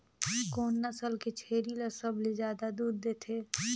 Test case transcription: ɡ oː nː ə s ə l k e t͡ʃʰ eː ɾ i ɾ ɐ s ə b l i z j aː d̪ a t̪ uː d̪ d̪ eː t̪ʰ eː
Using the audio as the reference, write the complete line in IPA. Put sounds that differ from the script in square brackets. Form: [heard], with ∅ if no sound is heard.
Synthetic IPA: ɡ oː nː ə s ə l k e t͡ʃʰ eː ɾ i [l] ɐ s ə b l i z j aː d̪ a [d̪] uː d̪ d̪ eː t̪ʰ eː